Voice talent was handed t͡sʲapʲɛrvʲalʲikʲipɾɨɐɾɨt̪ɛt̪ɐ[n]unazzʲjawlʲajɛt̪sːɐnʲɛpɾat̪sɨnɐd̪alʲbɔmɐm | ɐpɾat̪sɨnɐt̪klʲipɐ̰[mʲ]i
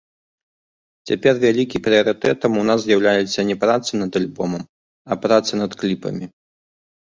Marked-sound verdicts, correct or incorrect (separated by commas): incorrect, correct